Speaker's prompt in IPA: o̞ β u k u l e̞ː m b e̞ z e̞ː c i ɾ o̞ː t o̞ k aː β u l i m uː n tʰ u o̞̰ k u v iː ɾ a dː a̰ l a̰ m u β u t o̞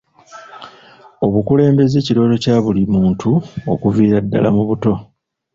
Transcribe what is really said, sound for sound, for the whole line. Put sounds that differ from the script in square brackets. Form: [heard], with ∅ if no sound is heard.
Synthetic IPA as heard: o̞ β u k u l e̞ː m b e̞ z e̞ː c i ɾ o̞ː t o̞ [c] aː β u l i m uː n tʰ u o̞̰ k u v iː ɾ a dː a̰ l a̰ m u β u t o̞